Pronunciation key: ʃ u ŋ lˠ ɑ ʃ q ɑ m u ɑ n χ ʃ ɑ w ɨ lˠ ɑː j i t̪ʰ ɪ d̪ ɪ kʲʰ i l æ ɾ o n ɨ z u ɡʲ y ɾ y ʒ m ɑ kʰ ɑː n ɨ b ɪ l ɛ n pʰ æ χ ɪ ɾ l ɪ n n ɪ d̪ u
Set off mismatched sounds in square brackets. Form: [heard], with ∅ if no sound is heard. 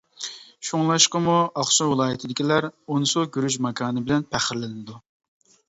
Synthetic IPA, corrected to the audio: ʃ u ŋ lˠ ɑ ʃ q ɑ m u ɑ [∅] χ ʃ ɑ w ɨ lˠ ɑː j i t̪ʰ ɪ d̪ ɪ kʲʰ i l æ ɾ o n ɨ [s] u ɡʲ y ɾ y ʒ m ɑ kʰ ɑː n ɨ b ɪ l ɛ n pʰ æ χ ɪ ɾ l ɪ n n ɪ d̪ u